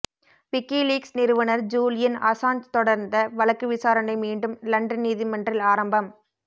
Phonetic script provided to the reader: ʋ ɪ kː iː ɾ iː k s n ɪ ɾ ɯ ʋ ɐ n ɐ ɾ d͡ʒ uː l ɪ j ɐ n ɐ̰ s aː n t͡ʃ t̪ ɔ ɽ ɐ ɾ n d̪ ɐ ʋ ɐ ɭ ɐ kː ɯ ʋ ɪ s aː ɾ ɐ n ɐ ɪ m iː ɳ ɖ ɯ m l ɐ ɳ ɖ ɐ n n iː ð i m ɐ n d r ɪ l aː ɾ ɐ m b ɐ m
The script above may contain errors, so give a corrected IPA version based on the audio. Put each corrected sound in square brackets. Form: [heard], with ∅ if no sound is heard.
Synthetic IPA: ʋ ɪ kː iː [l] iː k s n ɪ ɾ ɯ ʋ ɐ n ɐ ɾ d͡ʒ uː l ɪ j ɐ n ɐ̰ s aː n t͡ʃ t̪ ɔ ɽ ɐ ɾ n d̪ ɐ ʋ ɐ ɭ ɐ kː ɯ ʋ ɪ s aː ɾ ɐ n ɐ ɪ m iː ɳ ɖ ɯ m l ɐ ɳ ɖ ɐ n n iː ð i m ɐ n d r ɪ l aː ɾ ɐ m b ɐ m